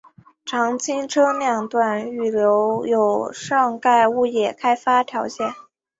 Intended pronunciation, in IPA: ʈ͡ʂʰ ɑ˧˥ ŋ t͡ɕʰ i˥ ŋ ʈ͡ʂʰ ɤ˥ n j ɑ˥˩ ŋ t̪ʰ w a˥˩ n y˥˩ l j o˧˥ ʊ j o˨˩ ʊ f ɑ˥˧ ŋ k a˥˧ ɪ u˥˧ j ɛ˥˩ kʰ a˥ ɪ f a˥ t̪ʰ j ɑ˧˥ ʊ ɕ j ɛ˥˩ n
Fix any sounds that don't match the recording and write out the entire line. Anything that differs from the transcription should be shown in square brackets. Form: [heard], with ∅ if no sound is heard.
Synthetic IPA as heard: ʈ͡ʂʰ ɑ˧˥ ŋ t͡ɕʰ i˥ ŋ ʈ͡ʂʰ ɤ˥ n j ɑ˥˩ ŋ [t̪] w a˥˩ n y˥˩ l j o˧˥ ʊ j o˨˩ ʊ [ʂ] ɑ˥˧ ŋ k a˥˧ ɪ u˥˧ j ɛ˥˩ kʰ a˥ ɪ f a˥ t̪ʰ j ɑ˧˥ ʊ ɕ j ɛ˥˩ n